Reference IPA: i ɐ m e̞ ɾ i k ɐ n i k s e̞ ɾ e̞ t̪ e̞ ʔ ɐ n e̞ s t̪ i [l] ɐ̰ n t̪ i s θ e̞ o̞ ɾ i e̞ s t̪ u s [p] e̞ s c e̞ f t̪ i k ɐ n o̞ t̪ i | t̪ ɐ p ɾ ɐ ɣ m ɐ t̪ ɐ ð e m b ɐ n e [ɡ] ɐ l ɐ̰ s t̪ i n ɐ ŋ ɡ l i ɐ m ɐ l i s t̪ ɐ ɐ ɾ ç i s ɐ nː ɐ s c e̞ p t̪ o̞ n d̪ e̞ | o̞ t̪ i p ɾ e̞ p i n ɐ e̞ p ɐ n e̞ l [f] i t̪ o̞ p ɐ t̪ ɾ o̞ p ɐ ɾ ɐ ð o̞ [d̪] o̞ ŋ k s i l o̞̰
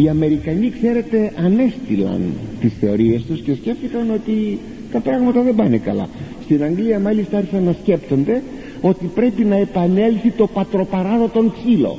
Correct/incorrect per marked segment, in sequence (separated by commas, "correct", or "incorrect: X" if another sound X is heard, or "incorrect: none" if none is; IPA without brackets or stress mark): correct, incorrect: c, incorrect: k, incorrect: θ, incorrect: t̪